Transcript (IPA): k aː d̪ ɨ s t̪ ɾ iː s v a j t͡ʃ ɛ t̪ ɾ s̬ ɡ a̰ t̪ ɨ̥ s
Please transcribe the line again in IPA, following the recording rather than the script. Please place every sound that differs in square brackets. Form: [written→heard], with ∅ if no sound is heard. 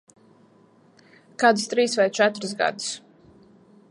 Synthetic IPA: k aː d̪ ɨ s t̪ ɾ iː s v a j t͡ʃ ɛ t̪ ɾ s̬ ɡ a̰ [t̪→d̪] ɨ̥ s